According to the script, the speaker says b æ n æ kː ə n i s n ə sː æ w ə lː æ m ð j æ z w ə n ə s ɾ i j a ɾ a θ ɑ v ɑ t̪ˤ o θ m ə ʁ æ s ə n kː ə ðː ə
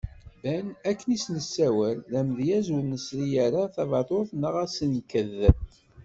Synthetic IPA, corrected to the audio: b æ n æ kː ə n i s n ə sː æ w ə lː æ m ð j æ z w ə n ə s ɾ i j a ɾ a θ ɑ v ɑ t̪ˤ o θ n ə ʁ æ s ə n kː ə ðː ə